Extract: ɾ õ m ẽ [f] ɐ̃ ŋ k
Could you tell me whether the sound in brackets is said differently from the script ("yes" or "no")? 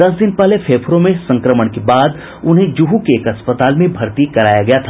yes